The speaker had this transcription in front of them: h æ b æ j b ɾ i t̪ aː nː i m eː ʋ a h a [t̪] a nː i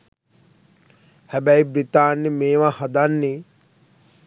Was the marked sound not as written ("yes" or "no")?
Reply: yes